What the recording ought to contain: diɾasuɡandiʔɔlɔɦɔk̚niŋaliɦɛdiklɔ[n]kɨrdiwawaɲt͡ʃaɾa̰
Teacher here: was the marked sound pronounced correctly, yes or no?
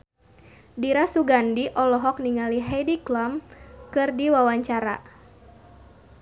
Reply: no